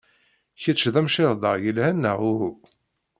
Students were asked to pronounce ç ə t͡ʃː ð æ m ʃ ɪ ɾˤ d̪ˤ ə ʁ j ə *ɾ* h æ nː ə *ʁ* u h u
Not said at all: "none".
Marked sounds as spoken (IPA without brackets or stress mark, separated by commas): l, ʁ